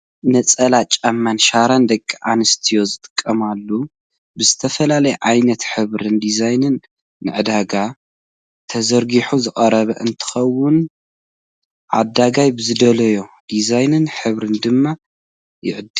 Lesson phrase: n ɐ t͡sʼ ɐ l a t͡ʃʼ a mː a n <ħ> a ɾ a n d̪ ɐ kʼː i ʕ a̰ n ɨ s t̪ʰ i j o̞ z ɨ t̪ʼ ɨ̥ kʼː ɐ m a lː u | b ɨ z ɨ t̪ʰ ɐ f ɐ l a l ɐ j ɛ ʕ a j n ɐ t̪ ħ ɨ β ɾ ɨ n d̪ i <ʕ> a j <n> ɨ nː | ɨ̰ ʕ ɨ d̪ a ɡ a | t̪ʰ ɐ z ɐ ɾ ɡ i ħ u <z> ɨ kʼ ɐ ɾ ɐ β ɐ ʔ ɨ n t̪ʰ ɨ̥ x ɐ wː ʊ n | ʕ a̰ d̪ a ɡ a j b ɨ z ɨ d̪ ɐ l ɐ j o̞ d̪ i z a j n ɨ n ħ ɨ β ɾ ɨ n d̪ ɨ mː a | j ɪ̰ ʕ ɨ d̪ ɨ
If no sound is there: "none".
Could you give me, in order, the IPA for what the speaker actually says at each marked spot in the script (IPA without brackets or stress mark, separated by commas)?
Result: ʃ, z, n, z